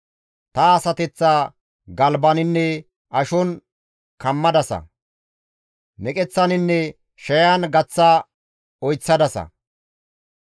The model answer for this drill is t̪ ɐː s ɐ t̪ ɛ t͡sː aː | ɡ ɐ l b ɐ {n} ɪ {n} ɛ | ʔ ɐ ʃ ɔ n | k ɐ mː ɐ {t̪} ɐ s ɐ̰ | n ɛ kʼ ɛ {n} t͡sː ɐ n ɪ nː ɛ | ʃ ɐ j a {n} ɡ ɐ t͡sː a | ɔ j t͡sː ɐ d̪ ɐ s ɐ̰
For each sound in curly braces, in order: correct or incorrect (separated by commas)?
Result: correct, incorrect, incorrect, incorrect, correct